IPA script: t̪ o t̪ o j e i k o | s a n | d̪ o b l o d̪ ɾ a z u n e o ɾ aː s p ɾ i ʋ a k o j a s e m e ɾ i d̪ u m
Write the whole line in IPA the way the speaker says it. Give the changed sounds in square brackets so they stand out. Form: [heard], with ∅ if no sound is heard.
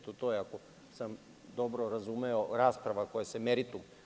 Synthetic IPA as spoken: t̪ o t̪ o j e [a] k o | s a [m] | d̪ o b [ɾ] o [∅] ɾ a z u [m] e o ɾ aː s p ɾ [a] ʋ a k o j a s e m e ɾ i [t̪] u m